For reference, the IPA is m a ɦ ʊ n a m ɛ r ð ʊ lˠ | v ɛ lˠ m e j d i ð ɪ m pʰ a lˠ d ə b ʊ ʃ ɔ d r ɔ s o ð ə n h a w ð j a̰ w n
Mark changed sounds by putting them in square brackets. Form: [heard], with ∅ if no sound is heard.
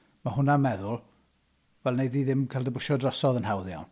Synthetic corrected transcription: m a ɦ ʊ n a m ɛ [∅] ð ʊ lˠ | v ɛ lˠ [n] e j d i ð ɪ m [kʰ] a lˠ d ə b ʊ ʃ ɔ d r ɔ s [ɔ] ð ə n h a w ð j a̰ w n

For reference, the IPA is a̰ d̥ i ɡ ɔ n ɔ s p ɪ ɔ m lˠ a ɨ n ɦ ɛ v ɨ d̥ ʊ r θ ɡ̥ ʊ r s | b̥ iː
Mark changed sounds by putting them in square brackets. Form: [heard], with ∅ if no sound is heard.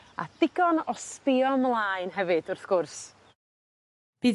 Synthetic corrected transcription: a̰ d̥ [ɪ] ɡ ɔ n ɔ s p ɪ ɔ m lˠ a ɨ n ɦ ɛ v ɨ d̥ ʊ r θ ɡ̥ ʊ r s | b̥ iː

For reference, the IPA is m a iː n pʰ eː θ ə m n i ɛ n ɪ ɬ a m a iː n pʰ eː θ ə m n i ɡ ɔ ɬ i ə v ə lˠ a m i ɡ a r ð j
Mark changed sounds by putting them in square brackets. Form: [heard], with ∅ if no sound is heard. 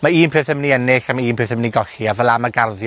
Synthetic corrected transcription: m a iː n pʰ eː θ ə m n i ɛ n ɪ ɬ a m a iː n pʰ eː θ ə m n i ɡ ɔ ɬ i [a] v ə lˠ a m [a] ɡ a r ð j

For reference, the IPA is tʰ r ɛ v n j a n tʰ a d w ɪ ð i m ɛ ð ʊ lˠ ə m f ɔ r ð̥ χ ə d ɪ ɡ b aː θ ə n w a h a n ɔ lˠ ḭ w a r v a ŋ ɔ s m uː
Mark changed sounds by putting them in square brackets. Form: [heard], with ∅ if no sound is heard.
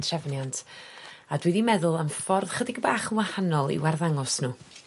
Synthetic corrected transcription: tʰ r ɛ v n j a n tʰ a d w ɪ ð i m ɛ ð ʊ lˠ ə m f ɔ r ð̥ χ ə d ɪ ɡ b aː [χ] ə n w a h a n ɔ lˠ ḭ w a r [ð] a ŋ ɔ s [n] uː

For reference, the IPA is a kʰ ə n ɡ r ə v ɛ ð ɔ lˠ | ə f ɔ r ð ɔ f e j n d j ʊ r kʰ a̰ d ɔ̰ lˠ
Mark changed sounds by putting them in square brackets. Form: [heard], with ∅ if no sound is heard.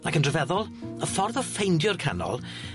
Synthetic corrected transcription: a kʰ ə n [d] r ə v ɛ ð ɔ lˠ | ə f ɔ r ð ɔ f e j n d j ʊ r kʰ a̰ [n] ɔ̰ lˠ

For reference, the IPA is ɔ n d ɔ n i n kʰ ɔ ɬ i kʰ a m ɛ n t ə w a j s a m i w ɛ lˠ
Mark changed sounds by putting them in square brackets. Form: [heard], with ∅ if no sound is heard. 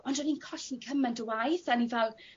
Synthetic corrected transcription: ɔ n d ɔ n i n kʰ ɔ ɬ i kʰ [ə] m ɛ n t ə w a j [θ] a [n] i [v] ɛ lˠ

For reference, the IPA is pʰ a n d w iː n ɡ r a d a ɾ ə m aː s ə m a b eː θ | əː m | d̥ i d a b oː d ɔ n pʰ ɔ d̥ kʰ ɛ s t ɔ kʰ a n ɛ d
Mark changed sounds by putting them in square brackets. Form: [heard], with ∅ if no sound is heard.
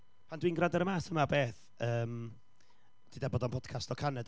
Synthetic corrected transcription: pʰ a n d w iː n ɡ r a d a ɾ ə m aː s ə m a b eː θ | əː m | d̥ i d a b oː d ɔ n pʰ ɔ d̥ kʰ [a] s t ɔ kʰ a n ɛ d

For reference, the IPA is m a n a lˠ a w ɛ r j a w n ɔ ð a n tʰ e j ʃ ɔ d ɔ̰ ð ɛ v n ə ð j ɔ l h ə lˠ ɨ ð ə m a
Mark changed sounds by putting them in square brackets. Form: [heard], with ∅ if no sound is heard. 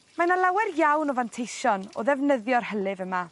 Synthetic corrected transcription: m a n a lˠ a w ɛ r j a w n ɔ [v] a n tʰ e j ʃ ɔ [n] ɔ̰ ð ɛ v n ə ð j ɔ [r] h ə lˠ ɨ [v] ə m a

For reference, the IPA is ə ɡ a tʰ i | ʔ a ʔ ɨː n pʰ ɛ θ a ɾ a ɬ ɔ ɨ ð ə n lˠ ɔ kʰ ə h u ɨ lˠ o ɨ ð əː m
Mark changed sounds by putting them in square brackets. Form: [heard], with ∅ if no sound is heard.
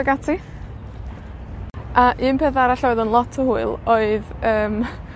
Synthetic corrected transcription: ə ɡ a tʰ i | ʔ a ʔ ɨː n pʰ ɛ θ a ɾ a ɬ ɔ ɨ ð ə n lˠ ɔ [tʰ] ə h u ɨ lˠ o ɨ ð əː m

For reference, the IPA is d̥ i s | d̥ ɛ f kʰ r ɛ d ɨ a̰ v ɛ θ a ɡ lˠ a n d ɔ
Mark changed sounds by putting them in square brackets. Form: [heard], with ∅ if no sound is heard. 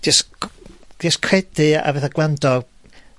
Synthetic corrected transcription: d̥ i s | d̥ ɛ [s] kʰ r ɛ d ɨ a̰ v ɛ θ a ɡ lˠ a n d ɔ

